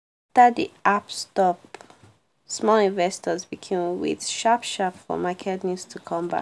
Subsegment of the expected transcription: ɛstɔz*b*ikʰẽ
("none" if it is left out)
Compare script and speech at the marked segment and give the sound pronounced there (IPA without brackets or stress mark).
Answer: b